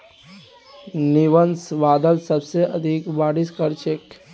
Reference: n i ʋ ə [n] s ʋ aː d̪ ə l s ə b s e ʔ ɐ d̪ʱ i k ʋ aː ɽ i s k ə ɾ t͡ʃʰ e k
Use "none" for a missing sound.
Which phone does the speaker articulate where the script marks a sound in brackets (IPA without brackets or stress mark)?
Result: n